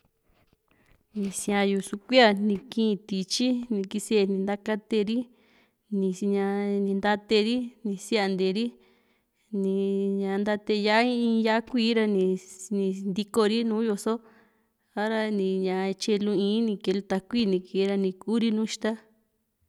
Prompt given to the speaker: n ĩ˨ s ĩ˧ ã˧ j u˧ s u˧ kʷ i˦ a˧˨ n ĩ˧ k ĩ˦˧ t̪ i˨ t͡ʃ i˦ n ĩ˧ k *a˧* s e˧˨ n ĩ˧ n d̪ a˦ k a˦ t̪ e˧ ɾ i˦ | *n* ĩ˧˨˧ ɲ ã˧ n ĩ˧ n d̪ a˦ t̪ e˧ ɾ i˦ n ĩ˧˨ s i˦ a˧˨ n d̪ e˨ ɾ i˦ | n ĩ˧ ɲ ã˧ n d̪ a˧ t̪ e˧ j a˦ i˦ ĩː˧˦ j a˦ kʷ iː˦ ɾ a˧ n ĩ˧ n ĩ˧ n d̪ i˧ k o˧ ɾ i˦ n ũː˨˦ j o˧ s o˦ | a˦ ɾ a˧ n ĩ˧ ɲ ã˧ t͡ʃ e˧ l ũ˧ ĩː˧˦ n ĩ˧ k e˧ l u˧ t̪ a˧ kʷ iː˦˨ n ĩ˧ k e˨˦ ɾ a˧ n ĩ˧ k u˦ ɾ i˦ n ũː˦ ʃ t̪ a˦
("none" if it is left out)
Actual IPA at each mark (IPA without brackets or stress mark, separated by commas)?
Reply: i˧, n